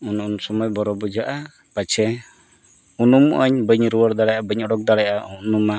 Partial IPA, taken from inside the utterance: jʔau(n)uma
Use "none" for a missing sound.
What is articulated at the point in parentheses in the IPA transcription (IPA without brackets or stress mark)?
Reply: n